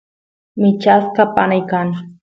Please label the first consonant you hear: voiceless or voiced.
voiced